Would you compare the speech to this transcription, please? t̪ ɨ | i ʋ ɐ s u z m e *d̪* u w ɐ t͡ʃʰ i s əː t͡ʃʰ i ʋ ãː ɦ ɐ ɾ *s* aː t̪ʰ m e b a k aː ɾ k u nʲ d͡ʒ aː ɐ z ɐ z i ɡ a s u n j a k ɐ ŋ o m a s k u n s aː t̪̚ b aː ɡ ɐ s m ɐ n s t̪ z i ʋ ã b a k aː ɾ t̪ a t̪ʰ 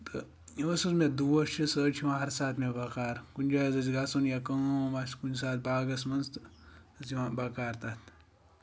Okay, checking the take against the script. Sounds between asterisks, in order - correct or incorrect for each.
correct, correct

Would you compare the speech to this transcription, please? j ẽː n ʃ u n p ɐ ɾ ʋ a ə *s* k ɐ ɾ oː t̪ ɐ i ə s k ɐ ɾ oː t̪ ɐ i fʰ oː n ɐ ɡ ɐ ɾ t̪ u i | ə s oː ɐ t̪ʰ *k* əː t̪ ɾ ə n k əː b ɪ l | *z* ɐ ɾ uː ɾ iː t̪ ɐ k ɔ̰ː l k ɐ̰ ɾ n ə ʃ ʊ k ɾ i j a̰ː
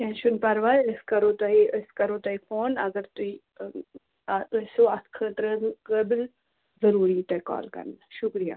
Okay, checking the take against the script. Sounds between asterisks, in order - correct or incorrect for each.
correct, incorrect, correct

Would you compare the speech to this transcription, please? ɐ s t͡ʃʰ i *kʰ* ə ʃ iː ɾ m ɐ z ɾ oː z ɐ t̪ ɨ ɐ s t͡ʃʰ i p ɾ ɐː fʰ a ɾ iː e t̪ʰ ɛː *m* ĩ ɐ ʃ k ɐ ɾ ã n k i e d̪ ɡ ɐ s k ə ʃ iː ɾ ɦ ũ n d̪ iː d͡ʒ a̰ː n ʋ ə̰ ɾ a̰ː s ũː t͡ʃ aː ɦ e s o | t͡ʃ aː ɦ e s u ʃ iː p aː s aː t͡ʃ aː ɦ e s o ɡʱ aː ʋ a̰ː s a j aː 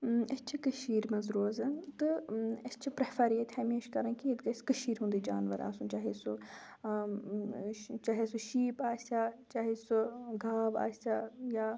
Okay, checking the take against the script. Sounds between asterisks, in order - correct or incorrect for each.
incorrect, correct

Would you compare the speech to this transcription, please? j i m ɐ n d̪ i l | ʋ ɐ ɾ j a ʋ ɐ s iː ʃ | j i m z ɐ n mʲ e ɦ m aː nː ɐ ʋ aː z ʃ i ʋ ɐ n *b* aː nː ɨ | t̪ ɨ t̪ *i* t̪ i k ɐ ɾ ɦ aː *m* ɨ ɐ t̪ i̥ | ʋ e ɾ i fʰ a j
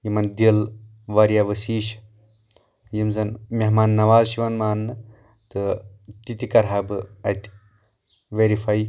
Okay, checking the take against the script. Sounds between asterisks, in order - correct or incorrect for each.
incorrect, correct, incorrect

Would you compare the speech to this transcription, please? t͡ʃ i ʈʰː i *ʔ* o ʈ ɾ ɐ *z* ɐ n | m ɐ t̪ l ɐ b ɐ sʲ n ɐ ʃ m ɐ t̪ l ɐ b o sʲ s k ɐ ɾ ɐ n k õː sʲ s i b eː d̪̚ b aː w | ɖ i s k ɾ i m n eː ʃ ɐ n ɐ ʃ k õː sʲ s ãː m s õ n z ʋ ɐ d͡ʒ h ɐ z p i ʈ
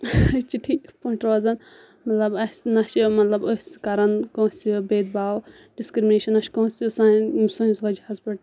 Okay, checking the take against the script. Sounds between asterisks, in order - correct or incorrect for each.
incorrect, correct

